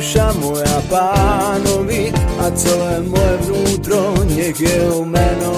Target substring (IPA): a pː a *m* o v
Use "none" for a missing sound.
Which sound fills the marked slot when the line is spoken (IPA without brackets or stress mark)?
n